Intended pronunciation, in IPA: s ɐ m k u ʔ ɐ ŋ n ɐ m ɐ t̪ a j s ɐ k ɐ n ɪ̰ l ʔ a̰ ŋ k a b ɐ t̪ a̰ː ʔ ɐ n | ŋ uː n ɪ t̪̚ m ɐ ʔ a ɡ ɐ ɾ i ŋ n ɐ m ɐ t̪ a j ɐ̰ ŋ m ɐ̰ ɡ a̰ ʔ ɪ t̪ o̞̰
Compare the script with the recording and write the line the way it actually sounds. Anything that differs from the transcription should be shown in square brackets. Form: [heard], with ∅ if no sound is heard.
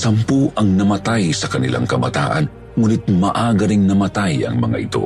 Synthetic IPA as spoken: s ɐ m [p] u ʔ ɐ ŋ n ɐ m ɐ t̪ a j s ɐ k ɐ n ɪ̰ l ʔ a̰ ŋ k [ɐ] b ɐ t̪ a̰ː ʔ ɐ n | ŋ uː n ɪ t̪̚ m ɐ ʔ a ɡ ɐ ɾ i ŋ n ɐ m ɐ t̪ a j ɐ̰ ŋ m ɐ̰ [ŋ] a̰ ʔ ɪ t̪ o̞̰